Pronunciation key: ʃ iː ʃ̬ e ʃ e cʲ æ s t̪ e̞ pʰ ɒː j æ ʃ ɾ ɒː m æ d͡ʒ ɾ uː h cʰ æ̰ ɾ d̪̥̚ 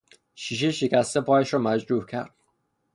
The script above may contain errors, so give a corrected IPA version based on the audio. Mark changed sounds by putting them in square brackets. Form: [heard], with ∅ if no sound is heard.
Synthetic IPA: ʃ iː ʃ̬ e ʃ e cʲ æ s t̪ e̞ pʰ ɒː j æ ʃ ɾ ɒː m æ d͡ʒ ɾ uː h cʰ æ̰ ɾ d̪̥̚

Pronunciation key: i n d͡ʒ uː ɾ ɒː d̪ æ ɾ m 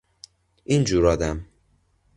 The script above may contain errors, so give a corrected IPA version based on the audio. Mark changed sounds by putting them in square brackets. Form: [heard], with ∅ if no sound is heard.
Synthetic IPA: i n d͡ʒ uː ɾ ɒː d̪ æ [∅] m

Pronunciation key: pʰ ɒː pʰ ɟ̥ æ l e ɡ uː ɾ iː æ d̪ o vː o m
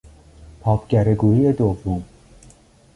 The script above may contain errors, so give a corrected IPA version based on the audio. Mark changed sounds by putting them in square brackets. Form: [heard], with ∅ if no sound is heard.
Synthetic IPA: pʰ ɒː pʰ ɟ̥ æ [ɾ] e ɡ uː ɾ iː [e] d̪ o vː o m

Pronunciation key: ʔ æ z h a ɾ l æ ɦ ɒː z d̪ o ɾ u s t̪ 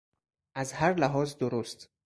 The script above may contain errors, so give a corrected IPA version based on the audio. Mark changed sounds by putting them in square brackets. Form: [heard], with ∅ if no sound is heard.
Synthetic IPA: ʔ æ z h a ɾ l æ ɦ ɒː z d̪ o ɾ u s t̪

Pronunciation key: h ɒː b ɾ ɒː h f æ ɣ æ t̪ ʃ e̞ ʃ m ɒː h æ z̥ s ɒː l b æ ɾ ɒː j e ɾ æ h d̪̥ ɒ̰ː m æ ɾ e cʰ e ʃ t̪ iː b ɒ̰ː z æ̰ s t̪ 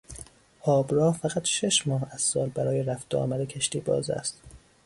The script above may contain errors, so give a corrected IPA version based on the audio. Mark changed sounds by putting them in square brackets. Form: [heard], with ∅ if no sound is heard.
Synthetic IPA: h ɒː b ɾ ɒː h f æ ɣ æ t̪ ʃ e̞ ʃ m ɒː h æ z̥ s ɒː l b æ ɾ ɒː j e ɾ æ [f] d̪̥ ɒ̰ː m æ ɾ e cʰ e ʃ t̪ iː b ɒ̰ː z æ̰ s t̪

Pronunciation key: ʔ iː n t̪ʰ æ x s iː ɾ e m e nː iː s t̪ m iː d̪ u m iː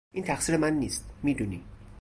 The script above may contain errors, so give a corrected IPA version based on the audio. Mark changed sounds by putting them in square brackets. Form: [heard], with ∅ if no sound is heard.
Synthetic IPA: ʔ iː n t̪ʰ æ x s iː ɾ e m [æ] nː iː s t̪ m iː d̪ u [n] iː

